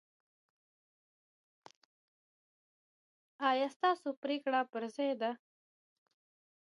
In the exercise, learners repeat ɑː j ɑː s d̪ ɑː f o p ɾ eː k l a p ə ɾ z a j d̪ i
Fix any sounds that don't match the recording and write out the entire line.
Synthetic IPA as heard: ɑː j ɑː s t̪ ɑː s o p ɾ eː k ɽ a p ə ɾ z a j d̪ a